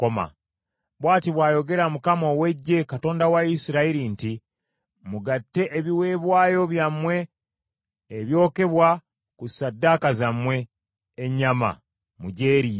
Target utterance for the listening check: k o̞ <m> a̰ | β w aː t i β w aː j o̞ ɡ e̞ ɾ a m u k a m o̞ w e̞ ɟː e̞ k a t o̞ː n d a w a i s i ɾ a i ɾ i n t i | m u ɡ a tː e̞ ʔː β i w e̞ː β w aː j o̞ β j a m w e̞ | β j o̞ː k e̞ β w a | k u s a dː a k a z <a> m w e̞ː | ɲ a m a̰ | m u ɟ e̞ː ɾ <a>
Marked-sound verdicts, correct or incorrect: correct, correct, incorrect: i

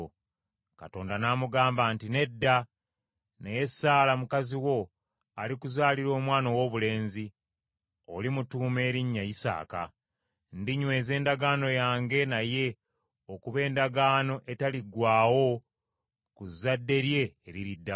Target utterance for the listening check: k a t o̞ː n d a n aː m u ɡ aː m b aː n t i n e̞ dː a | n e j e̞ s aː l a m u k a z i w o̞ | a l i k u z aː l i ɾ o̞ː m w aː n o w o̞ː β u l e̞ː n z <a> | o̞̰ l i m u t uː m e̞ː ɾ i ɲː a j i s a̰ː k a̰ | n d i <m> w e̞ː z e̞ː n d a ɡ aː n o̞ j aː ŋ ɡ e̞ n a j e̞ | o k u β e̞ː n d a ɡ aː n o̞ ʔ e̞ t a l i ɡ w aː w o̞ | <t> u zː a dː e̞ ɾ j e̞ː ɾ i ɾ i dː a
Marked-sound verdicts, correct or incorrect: incorrect: i, incorrect: ɲ, incorrect: k

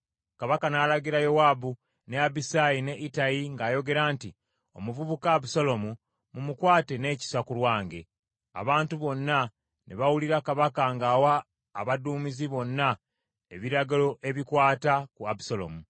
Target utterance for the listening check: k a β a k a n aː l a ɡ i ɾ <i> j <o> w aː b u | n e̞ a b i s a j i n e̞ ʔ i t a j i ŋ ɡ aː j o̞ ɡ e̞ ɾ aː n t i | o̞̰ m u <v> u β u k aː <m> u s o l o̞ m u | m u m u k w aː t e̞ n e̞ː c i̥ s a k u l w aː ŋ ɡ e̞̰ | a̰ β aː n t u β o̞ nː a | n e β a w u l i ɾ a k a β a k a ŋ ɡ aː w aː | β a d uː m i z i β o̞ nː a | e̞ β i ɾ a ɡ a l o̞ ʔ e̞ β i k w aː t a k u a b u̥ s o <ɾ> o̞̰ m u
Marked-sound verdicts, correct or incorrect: incorrect: a, correct, correct, incorrect: b, incorrect: l

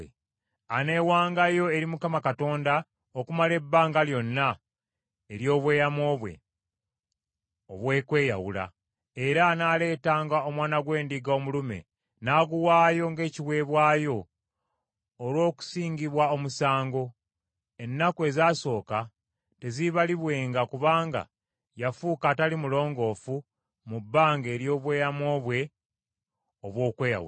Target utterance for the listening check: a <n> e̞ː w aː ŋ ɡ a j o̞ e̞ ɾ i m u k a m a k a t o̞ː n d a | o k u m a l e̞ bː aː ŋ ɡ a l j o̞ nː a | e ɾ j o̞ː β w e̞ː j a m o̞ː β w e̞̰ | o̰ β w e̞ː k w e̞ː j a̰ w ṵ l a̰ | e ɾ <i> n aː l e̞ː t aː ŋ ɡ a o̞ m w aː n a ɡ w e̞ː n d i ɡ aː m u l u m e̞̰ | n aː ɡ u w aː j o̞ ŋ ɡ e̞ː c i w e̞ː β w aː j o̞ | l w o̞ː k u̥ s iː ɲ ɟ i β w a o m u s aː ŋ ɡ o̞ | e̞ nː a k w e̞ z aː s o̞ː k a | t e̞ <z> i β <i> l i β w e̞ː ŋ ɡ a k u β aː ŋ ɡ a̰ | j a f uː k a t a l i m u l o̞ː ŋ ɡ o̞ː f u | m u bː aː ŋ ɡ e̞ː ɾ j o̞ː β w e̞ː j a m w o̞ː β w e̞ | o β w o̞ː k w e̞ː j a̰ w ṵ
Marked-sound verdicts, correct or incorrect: correct, incorrect: a, correct, incorrect: a

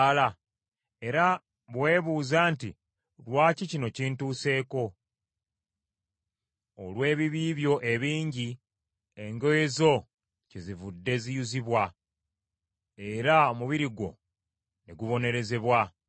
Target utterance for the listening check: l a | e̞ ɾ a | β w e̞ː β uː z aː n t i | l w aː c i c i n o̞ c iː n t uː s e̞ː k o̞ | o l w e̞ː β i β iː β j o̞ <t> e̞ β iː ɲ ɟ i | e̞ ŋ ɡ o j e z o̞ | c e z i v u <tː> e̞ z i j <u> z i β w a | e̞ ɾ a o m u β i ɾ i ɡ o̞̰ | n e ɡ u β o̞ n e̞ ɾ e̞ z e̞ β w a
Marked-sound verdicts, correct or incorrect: incorrect: ʔ, incorrect: dː, correct

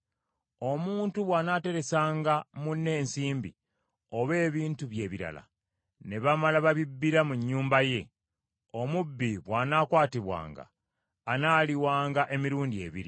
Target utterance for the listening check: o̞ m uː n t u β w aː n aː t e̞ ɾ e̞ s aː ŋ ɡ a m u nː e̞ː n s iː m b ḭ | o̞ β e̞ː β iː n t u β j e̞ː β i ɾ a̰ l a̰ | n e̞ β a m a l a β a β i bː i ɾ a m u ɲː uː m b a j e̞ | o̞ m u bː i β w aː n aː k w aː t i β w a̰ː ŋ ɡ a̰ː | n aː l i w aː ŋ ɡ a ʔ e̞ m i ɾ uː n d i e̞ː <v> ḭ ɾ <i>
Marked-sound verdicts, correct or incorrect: incorrect: β, correct

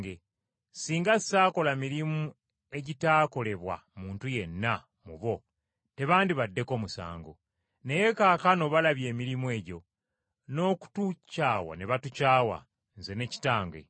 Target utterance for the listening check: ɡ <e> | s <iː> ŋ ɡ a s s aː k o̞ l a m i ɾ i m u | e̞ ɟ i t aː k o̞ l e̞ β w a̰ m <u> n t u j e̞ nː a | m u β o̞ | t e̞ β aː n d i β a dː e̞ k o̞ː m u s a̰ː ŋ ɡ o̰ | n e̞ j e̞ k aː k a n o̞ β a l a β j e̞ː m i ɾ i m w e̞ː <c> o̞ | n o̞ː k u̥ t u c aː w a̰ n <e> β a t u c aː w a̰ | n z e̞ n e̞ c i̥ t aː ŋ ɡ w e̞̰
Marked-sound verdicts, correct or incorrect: correct, correct, incorrect: uː, incorrect: ɟ, correct

